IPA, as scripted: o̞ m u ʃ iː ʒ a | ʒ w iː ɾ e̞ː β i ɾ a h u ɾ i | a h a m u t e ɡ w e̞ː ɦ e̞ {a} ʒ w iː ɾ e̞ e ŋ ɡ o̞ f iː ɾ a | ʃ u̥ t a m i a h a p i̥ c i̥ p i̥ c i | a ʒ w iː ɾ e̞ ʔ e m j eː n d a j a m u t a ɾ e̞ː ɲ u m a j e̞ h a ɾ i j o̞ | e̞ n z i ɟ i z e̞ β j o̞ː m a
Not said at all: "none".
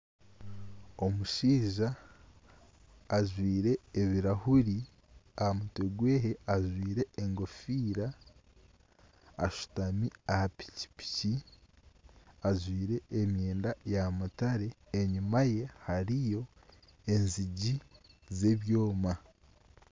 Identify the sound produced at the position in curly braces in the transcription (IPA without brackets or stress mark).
a